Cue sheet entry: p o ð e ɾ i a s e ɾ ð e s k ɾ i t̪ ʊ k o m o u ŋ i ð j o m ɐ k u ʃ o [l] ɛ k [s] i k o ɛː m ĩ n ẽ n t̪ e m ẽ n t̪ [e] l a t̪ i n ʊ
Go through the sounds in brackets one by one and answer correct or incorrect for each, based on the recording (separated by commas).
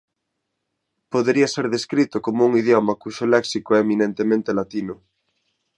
correct, correct, correct